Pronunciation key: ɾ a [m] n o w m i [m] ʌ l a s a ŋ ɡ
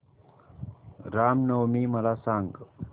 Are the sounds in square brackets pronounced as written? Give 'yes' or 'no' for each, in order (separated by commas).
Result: yes, yes